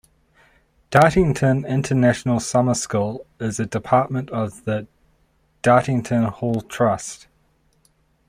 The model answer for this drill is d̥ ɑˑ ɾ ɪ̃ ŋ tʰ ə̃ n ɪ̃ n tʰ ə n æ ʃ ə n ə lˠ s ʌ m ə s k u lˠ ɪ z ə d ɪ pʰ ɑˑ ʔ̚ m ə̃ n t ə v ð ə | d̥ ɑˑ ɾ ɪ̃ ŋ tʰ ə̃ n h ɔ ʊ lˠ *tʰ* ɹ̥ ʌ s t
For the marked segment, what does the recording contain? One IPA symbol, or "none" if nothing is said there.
tʰ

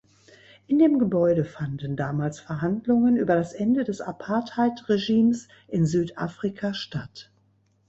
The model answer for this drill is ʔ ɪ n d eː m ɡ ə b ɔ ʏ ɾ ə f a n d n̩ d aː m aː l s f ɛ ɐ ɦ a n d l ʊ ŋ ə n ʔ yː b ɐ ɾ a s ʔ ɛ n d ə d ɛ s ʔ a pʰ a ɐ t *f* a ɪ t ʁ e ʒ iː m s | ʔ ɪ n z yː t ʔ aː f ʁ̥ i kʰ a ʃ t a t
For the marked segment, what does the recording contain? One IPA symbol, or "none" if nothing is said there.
h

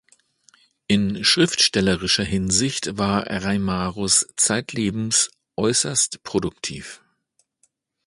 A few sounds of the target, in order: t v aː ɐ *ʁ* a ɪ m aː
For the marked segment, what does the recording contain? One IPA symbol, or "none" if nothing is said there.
ʁ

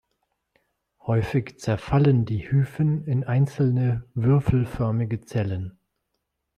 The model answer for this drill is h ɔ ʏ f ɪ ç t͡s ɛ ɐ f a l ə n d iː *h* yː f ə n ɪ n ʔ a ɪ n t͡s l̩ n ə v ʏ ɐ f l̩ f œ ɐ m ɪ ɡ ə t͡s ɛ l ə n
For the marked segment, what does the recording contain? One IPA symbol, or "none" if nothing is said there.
h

